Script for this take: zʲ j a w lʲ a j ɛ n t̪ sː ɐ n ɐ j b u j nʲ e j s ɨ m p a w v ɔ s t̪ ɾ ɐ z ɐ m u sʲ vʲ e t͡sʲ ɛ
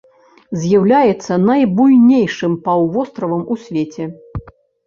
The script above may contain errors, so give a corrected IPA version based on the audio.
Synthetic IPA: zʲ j a w lʲ a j ɛ t̪ sː ɐ n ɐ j b u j nʲ e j ʂ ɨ m p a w v ɔ s t̪ ɾ ɐ v ɐ m u sʲ vʲ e t͡sʲ ɛ